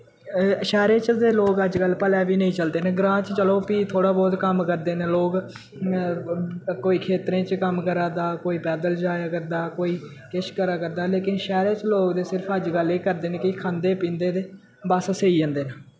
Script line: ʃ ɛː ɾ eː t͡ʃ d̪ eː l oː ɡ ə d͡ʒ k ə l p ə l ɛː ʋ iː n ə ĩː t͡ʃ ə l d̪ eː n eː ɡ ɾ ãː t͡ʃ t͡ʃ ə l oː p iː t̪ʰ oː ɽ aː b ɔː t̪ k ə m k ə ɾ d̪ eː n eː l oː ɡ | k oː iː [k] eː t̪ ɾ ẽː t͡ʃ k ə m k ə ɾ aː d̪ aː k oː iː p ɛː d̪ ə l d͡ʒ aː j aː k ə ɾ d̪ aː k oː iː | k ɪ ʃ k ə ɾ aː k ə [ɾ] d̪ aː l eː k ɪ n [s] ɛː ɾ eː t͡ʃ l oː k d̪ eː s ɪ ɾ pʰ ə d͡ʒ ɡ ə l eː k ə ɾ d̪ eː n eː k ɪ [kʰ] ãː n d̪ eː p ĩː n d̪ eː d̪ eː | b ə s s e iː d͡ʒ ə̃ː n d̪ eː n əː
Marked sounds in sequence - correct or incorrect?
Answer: incorrect: kʰ, correct, incorrect: ʃ, correct

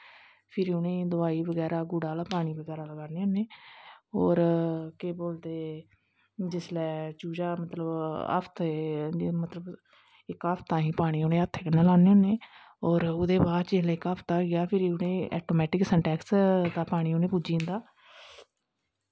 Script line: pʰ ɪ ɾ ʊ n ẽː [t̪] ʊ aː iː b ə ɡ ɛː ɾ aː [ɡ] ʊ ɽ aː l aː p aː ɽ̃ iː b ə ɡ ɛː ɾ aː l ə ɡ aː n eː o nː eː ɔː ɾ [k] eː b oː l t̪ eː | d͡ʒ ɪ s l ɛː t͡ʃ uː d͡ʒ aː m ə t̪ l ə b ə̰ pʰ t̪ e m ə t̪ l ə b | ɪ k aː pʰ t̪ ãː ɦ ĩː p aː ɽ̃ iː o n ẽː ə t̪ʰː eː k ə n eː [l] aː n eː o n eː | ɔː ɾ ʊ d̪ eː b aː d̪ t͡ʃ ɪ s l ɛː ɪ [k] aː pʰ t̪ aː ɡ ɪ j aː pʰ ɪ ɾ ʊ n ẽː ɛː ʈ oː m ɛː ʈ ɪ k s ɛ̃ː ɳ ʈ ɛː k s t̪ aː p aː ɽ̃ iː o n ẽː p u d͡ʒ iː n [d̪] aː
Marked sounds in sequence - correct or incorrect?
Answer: incorrect: d̪, correct, correct, correct, correct, correct

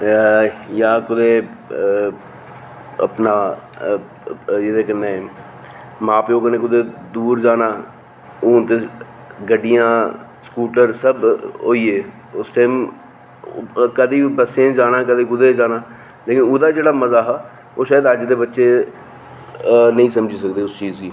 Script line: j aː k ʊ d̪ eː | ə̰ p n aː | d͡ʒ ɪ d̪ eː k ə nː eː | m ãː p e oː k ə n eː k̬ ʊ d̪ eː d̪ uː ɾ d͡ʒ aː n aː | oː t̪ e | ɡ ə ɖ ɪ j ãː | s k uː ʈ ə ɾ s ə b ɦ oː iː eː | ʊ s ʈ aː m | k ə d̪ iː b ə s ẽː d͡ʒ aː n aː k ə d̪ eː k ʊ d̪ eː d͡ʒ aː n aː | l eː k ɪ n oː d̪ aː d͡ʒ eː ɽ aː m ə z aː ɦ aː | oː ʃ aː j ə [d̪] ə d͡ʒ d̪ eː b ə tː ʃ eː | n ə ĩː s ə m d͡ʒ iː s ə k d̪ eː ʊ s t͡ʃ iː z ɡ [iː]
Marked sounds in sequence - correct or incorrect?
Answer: correct, correct

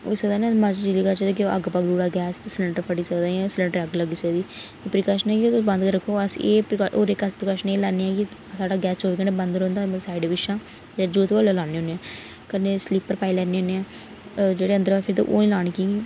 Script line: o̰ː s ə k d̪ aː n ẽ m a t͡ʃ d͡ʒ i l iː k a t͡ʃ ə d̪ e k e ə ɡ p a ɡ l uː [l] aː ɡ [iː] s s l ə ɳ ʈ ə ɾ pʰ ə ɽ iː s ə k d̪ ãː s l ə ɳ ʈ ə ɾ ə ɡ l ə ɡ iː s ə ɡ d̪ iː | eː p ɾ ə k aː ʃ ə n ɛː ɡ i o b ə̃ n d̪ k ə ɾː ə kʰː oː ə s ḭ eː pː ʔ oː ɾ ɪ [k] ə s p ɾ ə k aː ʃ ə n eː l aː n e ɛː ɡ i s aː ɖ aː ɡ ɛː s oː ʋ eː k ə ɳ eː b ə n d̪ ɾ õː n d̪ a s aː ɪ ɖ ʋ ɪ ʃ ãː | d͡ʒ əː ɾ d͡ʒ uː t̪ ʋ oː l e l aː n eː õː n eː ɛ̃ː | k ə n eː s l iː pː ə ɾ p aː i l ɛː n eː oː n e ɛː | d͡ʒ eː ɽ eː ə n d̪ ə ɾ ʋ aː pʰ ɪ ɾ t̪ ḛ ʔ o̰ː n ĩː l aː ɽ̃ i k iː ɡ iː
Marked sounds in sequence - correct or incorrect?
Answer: incorrect: ɽ, incorrect: ɛː, correct

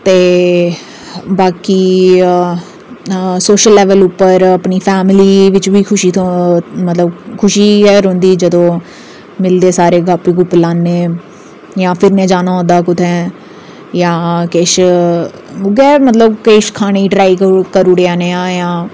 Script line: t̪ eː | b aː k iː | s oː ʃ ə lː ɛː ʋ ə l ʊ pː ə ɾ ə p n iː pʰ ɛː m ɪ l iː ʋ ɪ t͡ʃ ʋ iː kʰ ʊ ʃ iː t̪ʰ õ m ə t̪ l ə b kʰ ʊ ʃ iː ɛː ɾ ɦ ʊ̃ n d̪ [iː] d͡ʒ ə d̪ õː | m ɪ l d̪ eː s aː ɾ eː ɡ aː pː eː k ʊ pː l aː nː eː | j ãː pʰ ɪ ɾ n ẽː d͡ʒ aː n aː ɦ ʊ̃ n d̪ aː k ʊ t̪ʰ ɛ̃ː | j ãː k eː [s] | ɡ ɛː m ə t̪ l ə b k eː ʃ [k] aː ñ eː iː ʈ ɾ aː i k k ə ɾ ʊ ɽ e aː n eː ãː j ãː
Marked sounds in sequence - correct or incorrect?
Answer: correct, incorrect: ʃ, incorrect: kʰ

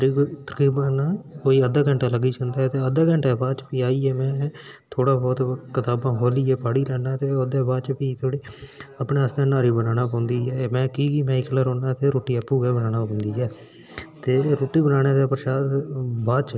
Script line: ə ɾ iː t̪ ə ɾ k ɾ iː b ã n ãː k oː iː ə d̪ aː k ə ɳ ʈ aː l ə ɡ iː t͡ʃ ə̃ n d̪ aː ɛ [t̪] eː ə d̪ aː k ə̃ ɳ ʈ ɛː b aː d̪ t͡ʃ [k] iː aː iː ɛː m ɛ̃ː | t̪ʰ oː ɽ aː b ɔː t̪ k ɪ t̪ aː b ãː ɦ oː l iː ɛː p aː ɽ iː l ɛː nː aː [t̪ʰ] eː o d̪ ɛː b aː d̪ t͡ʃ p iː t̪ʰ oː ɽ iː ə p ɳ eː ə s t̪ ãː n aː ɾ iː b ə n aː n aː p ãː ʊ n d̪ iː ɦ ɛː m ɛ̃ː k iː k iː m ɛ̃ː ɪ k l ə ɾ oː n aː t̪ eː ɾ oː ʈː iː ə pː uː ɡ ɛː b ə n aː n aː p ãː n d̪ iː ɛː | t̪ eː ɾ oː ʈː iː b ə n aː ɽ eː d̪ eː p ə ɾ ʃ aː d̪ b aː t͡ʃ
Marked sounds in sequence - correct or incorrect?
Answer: correct, incorrect: p, incorrect: t̪

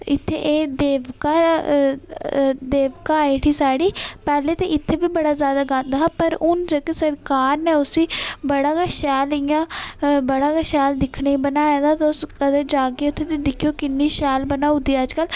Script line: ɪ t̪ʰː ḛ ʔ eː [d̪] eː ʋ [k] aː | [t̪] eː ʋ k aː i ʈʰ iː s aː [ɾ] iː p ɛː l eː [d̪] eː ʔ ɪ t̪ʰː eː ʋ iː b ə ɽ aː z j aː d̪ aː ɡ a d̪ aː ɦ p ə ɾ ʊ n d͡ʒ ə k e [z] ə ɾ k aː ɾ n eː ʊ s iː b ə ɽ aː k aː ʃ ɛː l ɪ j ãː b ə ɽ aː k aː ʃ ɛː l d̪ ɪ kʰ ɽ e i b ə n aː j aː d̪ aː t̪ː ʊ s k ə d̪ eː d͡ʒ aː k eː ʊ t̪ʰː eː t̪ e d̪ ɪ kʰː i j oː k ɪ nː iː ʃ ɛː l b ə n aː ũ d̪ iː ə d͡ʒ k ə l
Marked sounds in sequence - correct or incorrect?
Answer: correct, correct, incorrect: d̪, incorrect: ɽ, incorrect: t̪, incorrect: s

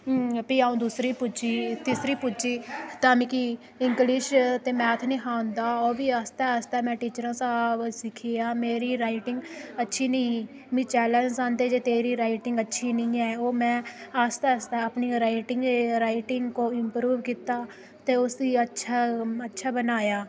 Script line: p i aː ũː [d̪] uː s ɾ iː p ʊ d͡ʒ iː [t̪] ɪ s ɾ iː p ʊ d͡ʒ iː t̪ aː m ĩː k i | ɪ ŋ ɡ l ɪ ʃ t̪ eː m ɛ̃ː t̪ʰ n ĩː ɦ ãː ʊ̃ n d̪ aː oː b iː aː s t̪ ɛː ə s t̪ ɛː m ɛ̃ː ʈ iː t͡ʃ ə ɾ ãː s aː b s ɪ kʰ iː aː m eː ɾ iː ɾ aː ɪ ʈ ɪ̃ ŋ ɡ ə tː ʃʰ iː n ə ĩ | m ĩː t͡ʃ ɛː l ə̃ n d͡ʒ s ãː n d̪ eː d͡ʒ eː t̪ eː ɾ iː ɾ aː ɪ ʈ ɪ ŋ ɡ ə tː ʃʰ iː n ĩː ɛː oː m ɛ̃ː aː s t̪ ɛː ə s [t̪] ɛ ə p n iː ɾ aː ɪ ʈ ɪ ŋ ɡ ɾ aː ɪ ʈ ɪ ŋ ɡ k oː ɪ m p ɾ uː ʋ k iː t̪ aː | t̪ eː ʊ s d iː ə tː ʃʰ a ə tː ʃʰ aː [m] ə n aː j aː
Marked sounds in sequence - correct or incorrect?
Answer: correct, correct, correct, incorrect: b

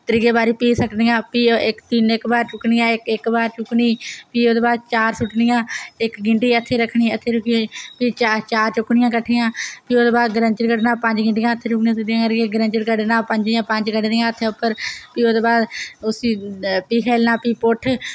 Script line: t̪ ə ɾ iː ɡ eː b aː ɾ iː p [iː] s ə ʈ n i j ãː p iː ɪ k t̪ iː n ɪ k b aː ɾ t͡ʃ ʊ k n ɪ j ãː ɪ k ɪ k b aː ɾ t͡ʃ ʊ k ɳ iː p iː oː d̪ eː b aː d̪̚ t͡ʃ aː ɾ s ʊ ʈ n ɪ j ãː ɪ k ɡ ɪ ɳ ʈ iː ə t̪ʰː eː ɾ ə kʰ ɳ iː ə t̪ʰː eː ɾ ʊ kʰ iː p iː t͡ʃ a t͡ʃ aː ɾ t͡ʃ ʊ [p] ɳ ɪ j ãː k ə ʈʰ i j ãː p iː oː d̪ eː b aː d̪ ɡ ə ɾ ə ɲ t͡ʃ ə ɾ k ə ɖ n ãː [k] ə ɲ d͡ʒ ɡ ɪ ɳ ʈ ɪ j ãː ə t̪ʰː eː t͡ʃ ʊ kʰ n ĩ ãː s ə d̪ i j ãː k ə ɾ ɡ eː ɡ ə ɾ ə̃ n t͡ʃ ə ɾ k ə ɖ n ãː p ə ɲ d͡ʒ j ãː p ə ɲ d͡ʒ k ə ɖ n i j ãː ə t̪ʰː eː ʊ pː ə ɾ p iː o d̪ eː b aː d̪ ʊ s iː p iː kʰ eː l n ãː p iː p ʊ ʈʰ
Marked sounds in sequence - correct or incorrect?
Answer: correct, incorrect: k, incorrect: p

